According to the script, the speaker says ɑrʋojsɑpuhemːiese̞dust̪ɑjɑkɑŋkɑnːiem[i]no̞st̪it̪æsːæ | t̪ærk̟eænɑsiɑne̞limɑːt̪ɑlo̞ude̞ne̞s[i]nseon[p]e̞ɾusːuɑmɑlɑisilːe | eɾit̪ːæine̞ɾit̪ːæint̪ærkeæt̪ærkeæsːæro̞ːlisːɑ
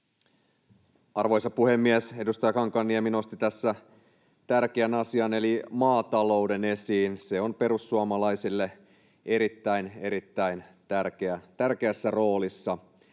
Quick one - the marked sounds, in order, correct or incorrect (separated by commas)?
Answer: correct, incorrect, correct